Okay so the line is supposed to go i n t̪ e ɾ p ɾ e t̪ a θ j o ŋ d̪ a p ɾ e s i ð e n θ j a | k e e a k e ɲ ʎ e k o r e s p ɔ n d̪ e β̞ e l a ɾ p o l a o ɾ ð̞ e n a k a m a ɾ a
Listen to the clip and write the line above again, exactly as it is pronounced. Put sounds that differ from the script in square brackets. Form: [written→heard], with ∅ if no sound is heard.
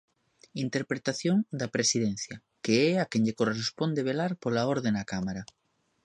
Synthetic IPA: i n t̪ e ɾ p ɾ e t̪ a θ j o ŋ d̪ a p ɾ e s i ð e n θ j a | k e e a k e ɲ ʎ e k o r e s p [ɔ→o] n d̪ e β̞ e l a ɾ p o l a o ɾ ð̞ e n a k a m a ɾ a

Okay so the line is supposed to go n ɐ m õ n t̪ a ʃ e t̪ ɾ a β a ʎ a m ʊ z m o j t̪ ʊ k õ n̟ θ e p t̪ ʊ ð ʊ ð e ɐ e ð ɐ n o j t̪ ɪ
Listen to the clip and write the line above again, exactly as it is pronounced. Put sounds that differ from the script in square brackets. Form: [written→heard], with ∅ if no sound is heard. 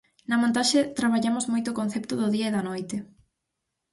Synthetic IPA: n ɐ m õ n t̪ a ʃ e t̪ ɾ a β a ʎ a m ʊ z m o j t̪ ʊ k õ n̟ θ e p t̪ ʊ ð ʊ ð [e→i] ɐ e ð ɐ n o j t̪ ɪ

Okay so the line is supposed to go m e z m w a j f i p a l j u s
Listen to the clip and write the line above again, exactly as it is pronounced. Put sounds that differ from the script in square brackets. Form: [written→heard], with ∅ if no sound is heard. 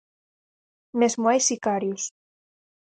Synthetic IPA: m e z m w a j [f→s] i [p→k] a [l→ɾ] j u s

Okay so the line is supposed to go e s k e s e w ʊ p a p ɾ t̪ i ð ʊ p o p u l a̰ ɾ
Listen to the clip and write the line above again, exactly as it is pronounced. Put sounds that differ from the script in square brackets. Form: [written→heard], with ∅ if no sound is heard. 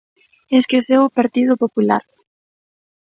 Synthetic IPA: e s k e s e w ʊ p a [p→∅] ɾ t̪ i ð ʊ p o p u l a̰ ɾ

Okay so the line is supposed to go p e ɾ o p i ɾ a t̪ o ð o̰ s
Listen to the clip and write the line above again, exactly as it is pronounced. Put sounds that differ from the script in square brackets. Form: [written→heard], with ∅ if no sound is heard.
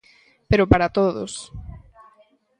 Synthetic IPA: p e ɾ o p [i→a] ɾ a t̪ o ð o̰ s

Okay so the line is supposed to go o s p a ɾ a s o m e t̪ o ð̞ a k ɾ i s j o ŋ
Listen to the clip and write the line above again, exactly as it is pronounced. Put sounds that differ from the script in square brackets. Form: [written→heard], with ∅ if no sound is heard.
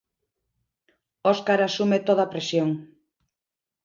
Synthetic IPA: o s [p→k] a ɾ a s [o→u] m e t̪ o ð̞ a [k→p] ɾ [i→e] s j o ŋ

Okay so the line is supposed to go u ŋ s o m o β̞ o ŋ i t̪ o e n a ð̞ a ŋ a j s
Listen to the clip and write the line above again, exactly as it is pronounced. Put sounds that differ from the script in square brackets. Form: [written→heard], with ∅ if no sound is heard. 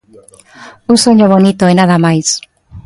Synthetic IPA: u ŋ s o [m→ɲ] o β̞ o [ŋ→n] i t̪ o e n a ð̞ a [ŋ→m] a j s

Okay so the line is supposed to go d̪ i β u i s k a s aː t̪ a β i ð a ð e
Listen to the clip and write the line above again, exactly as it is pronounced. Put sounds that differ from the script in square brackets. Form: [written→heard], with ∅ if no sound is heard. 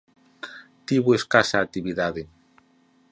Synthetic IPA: [d̪→t̪] i β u [i→e] s k a s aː t̪ [a→i] β i ð a ð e

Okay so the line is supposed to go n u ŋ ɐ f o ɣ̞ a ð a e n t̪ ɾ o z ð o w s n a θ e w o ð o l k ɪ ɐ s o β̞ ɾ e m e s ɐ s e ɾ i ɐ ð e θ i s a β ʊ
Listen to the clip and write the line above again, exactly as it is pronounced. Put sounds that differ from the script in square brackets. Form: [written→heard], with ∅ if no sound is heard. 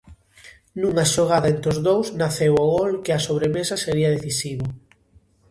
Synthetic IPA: n u ŋ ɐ [f→ʃ] o ɣ̞ a ð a e n t̪ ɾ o z ð o w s n a θ e w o [ð→ɣ] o l k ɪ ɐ s o β̞ ɾ e m e s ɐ s e ɾ i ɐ ð e θ i s [a→i] β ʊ

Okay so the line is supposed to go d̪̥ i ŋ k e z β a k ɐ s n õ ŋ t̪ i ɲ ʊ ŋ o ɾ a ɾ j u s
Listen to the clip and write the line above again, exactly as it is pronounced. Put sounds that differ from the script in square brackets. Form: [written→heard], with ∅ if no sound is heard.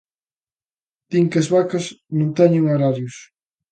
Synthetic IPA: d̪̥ i ŋ k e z β a k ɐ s n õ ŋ t̪ [i→ɛ] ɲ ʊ ŋ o ɾ a ɾ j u s

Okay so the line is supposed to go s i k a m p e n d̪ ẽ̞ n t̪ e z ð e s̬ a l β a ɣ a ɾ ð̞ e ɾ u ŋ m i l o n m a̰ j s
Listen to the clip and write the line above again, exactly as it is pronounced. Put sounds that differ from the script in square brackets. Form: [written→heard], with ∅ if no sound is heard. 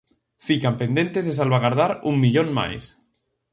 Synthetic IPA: [s→f] i k a m p e n d̪ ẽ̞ n t̪ e z ð e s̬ a l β a ɣ a ɾ ð̞ [e→a] ɾ u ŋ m i [l→ʎ] o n m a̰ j s

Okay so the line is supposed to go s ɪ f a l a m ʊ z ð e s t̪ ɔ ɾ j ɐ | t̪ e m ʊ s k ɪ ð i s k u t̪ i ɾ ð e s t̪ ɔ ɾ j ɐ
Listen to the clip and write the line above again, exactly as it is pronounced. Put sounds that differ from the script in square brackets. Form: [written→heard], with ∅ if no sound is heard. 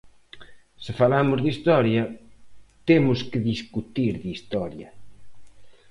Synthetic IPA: s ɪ f a l a m ʊ z ð [e→i] s t̪ ɔ ɾ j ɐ | t̪ e m ʊ s k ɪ ð i s k u t̪ i ɾ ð [e→i] s t̪ ɔ ɾ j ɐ

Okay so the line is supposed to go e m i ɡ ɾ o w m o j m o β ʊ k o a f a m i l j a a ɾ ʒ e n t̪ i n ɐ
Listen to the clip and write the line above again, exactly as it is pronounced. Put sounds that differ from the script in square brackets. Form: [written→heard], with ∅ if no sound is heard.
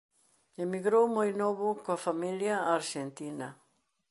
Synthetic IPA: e m i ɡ ɾ o w m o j [m→n] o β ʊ k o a f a m i l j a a ɾ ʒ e n t̪ i n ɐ

